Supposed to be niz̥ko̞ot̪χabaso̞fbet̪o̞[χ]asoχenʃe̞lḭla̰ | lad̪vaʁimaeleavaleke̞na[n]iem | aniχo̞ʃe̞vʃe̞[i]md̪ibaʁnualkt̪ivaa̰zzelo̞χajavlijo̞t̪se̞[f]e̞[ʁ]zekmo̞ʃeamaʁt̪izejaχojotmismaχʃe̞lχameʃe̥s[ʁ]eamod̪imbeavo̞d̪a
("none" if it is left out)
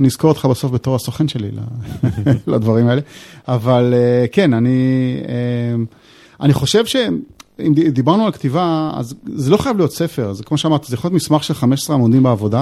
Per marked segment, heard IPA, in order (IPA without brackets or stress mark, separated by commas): ʁ, n, i, f, ʁ, ʁ